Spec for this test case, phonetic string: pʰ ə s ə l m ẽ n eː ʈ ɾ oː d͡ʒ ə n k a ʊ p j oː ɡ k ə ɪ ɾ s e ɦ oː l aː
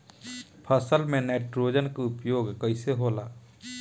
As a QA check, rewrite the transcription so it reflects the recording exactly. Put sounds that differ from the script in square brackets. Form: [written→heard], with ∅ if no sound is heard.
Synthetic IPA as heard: pʰ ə s ə l m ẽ n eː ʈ ɾ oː d͡ʒ ə n k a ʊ p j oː ɡ k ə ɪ [ɾ→∅] s e ɦ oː l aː